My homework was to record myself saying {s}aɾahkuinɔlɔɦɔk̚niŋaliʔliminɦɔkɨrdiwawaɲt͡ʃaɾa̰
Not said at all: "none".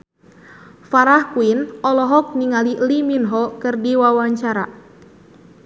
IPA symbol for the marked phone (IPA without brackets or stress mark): f